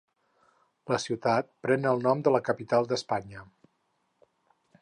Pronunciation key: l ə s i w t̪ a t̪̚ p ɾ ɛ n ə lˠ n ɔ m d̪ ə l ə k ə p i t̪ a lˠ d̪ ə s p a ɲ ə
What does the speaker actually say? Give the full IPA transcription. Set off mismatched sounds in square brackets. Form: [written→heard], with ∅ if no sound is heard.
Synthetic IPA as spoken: l ə s i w t̪ a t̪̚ p ɾ ɛ n ə lˠ n ɔ m d̪ ə l ə k ə p i t̪ a lˠ d̪ ə s p a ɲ ə